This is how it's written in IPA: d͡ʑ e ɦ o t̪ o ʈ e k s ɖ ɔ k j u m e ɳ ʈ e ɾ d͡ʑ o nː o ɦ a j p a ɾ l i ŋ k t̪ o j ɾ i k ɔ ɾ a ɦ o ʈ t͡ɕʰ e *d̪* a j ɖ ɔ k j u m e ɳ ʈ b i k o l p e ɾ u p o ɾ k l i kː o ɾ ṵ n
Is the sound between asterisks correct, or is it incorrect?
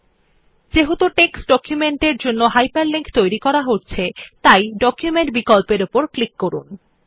incorrect